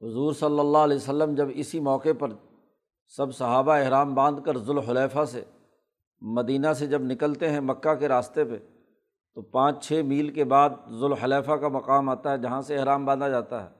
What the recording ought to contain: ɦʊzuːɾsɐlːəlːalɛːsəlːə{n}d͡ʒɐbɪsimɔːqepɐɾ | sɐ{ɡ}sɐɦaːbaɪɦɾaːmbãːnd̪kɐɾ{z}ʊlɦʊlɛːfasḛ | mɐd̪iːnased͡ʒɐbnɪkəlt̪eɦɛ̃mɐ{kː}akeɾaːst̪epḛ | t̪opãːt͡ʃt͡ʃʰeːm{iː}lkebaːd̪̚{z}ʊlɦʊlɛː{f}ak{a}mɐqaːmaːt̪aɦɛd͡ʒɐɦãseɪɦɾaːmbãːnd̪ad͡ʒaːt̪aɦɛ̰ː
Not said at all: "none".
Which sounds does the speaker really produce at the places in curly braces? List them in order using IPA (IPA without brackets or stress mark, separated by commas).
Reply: m, b, z, kː, iː, z, f, a